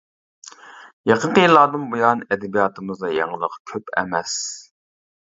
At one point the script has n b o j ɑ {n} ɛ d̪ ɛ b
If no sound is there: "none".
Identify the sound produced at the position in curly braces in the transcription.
n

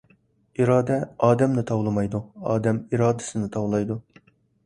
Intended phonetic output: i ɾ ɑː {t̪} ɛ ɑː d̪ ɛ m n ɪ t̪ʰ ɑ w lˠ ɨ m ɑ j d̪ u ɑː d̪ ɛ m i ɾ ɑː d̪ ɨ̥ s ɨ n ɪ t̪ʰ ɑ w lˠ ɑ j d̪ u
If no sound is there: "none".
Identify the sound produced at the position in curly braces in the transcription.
d̪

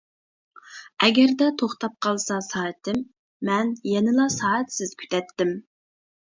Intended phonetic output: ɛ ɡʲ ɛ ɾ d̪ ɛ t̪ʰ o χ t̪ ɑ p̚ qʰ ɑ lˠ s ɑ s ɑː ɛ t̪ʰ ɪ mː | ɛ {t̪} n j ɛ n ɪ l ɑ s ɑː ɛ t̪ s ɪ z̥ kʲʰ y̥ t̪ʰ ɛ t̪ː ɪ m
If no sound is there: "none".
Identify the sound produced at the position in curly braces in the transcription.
none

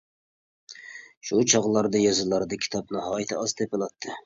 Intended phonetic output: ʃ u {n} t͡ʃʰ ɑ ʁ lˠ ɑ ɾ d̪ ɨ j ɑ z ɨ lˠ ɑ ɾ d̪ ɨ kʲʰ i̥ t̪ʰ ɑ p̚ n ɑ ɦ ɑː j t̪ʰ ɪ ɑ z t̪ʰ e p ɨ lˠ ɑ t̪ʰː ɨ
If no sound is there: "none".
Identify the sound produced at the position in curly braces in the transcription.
none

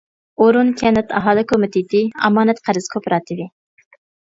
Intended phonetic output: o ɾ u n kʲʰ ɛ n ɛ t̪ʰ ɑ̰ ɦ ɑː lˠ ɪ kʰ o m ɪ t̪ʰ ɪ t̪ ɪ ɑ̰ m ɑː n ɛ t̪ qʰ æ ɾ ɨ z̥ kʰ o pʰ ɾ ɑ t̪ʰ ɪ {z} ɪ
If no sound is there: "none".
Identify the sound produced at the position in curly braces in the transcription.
v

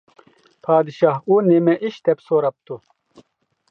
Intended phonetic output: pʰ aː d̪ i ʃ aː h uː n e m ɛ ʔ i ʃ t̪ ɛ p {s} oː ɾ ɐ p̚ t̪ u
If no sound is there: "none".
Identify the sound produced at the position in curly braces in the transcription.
s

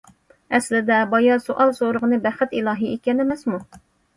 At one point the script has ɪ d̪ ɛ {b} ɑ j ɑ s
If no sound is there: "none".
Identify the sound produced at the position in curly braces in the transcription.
b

